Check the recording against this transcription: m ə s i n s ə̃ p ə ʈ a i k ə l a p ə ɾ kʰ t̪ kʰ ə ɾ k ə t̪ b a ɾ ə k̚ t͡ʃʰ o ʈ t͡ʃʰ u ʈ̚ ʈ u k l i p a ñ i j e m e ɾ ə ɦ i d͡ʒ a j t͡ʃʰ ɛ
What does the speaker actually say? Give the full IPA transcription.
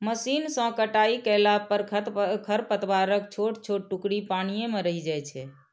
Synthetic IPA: m ə s i n s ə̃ k ə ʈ a i k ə l a p ə ɾ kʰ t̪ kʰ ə ɾ p ə t̪ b a ɾ ə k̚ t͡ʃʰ o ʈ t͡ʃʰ o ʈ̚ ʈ u k ɽ i p a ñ i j e m e ɾ ə ɦ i d͡ʒ a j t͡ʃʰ ɛ